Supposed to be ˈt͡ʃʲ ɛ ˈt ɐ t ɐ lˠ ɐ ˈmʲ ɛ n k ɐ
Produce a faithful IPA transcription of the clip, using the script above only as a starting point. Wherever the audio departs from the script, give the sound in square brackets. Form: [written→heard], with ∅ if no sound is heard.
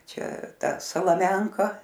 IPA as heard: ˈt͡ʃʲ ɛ ˈt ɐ [t→s] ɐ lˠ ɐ ˈmʲ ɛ [n→ŋ] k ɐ

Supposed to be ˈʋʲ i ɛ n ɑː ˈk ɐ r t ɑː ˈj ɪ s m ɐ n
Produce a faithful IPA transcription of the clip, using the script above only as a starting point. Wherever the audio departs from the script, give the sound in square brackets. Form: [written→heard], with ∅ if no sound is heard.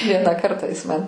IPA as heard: ˈʋʲ i ɛ n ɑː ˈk ɐ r t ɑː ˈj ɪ s m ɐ n

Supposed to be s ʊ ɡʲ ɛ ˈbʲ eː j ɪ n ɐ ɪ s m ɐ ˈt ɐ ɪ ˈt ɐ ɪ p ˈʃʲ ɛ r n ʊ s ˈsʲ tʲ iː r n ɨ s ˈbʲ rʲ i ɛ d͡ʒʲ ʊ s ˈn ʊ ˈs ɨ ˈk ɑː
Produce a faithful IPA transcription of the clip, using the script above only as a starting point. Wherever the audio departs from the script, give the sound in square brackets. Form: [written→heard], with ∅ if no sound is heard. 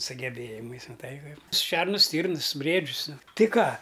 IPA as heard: s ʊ ɡʲ ɛ ˈbʲ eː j ɪ [n→m] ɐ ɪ s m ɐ ˈt ɐ ɪ [ˈt→ˈk] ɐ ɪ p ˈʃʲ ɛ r n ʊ s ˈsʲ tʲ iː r n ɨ s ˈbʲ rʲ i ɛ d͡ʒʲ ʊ s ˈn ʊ [ˈs→ˈt] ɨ ˈk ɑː

